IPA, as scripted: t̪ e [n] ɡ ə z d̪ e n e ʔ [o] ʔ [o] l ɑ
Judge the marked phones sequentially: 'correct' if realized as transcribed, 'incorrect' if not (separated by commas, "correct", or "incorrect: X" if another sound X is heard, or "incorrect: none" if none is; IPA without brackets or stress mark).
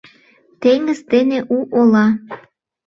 incorrect: ŋ, incorrect: u, correct